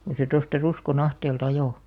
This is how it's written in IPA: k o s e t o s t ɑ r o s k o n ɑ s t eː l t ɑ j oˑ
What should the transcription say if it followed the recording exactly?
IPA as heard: k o s e t o s t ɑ r u s k o n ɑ h t eː l t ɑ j oˑ

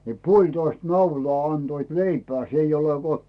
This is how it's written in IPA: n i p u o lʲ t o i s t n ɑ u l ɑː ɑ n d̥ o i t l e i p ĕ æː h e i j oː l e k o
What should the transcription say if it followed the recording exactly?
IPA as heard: n i p u o lʲ t o i s t n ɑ u l ɑː ɑ n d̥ o i t l e i p ĕ æː s e i j o l e k o

